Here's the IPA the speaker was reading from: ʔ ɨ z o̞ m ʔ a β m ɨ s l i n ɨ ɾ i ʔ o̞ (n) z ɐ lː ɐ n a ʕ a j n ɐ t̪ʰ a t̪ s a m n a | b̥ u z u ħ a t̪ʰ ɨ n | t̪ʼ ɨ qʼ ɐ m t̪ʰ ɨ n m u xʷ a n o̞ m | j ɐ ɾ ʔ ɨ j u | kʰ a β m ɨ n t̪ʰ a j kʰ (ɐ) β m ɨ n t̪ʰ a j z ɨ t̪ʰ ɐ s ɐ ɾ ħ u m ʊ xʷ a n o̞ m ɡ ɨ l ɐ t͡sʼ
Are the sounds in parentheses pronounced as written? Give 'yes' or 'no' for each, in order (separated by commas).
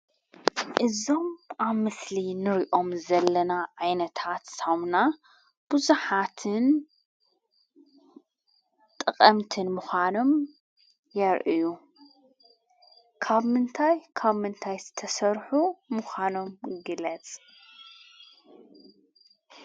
no, no